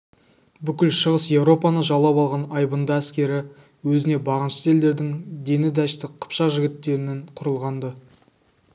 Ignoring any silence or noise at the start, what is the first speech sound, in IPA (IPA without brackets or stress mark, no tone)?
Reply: b